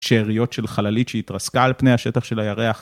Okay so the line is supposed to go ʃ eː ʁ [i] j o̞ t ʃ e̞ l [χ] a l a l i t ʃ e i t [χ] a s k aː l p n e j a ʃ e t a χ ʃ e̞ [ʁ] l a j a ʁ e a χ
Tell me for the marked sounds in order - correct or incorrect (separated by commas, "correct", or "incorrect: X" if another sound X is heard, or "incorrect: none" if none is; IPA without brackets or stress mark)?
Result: correct, correct, incorrect: ʁ, incorrect: none